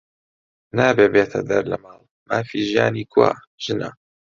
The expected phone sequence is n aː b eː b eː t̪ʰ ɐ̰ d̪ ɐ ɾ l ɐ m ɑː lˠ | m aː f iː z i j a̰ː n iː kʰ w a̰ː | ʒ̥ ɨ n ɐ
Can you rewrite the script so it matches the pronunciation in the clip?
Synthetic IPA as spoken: n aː b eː b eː t̪ʰ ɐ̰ d̪ ɐ ɾ l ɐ m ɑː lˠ | m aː f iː ʒ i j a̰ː n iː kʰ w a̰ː | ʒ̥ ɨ n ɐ